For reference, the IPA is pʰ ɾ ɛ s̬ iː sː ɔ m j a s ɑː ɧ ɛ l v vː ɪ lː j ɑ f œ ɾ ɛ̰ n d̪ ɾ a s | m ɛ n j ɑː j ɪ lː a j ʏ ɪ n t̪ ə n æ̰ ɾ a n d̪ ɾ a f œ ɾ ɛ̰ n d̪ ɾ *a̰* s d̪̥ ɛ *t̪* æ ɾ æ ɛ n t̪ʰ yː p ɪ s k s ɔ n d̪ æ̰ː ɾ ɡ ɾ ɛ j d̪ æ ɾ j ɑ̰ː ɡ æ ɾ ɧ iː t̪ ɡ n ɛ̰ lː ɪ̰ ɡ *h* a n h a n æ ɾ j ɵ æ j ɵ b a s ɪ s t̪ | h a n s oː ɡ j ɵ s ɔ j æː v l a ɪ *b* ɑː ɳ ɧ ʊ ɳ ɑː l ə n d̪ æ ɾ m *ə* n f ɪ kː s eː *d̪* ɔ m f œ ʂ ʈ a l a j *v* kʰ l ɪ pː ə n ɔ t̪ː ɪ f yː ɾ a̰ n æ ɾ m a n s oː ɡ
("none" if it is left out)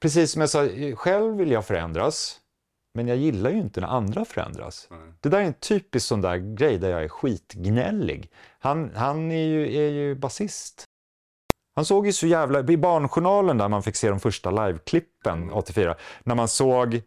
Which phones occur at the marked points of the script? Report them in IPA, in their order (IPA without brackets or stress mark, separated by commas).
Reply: a̰, d̪, h, b, a, d̪, v